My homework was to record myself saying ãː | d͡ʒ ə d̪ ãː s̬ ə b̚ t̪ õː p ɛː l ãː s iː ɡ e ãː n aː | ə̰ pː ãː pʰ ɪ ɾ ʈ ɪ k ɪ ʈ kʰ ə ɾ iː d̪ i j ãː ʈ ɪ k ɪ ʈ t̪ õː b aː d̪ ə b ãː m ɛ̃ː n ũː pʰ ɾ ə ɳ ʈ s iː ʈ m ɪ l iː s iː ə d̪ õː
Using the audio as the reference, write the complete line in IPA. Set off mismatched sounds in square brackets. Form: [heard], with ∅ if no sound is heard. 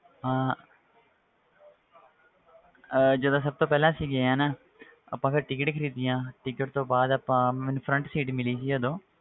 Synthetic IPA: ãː | d͡ʒ ə d̪ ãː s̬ ə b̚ t̪ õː p ɛː l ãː s iː ɡ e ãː n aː | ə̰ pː ãː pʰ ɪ ɾ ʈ ɪ k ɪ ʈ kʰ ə ɾ iː d̪ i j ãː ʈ ɪ k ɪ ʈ t̪ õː b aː d̪ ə [p] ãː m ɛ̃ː n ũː pʰ ɾ ə ɳ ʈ s iː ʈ m ɪ l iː s iː ə d̪ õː